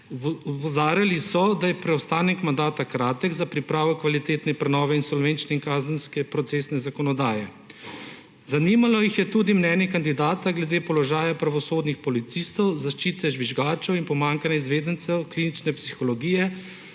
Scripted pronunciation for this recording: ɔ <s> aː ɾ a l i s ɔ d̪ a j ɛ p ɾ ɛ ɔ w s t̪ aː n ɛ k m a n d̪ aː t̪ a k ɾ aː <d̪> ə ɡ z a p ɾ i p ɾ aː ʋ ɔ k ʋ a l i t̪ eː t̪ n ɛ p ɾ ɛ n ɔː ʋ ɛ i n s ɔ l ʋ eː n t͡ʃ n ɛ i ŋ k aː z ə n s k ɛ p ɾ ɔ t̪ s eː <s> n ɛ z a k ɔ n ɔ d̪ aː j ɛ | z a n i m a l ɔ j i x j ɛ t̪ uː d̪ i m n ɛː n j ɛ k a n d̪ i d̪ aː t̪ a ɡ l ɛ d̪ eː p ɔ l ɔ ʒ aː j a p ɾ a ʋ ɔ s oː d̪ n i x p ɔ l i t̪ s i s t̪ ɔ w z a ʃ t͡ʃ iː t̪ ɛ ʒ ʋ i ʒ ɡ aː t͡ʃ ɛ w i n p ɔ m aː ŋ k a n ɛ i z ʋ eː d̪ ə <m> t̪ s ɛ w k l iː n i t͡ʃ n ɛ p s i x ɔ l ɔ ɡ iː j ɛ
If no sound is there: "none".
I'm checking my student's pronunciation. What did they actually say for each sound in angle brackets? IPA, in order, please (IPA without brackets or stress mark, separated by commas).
z, t̪, s, n